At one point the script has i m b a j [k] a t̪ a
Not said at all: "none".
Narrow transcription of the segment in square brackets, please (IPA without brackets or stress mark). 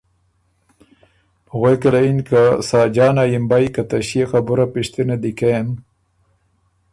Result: k